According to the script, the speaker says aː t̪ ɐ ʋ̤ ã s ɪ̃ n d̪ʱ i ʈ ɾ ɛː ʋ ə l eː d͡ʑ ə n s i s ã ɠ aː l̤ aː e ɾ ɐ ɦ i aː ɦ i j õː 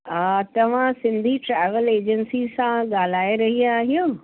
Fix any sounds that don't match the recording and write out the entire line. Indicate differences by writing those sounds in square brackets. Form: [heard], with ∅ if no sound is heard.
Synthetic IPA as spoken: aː t̪ ɐ ʋ̤ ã s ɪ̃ n d̪ʱ i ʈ ɾ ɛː ʋ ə l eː d͡ʑ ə n s i s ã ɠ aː l̤ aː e ɾ ɐ ɦ i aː ɦ i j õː